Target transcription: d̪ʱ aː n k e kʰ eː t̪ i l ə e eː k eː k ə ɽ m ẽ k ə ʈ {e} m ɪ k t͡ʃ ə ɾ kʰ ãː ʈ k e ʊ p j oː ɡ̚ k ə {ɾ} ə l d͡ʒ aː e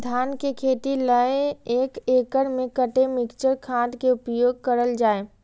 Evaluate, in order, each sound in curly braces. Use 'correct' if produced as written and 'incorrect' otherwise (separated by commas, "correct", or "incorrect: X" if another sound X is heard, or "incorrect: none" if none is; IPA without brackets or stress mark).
correct, correct